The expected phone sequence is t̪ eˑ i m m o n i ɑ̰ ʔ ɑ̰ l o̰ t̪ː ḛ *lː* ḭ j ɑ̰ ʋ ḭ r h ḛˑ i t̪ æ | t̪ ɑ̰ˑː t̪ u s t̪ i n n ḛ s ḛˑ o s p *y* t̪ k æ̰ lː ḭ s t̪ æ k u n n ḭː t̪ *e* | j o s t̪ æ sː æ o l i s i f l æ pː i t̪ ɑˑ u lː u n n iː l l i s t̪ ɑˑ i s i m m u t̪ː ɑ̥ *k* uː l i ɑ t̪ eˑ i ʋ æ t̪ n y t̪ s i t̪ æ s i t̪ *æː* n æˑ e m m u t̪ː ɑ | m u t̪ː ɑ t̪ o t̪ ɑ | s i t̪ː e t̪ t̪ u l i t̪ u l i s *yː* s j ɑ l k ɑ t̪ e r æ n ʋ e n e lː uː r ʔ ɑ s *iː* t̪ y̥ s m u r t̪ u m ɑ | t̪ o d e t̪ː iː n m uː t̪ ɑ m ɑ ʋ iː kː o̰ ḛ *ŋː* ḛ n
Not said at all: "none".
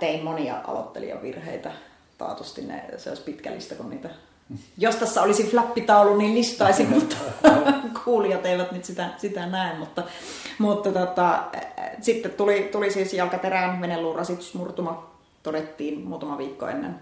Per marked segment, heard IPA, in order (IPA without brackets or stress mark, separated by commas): l, i, æ, kʰ, æ, iː, i, nː